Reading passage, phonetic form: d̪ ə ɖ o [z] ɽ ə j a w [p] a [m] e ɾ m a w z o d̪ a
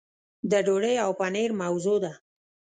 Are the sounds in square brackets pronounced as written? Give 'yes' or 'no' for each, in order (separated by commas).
no, yes, no